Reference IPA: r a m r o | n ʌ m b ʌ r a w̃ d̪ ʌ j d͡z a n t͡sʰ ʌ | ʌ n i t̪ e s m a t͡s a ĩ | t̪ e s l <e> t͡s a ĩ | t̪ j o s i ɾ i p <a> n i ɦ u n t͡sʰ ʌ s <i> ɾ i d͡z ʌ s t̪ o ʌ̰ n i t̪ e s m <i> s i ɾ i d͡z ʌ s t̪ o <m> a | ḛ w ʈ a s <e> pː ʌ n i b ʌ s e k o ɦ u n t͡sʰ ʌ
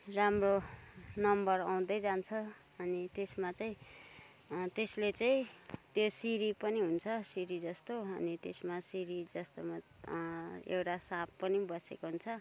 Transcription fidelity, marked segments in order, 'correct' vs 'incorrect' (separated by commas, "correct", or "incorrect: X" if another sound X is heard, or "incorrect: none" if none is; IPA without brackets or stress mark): correct, incorrect: ʌ, correct, incorrect: a, correct, incorrect: a